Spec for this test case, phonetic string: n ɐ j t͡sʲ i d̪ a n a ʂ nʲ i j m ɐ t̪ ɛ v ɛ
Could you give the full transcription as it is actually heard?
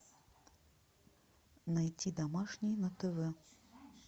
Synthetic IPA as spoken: n a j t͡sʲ i d̪ a m a ʂ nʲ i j n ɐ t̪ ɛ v ɛ